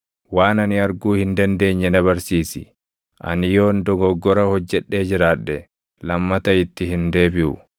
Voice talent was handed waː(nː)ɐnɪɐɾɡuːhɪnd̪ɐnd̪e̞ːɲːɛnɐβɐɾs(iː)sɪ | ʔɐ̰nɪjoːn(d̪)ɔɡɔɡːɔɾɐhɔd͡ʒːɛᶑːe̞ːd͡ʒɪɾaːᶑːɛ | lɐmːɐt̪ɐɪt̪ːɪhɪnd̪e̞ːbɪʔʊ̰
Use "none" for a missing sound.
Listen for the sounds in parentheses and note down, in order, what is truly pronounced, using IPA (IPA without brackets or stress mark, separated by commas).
n, iː, d̪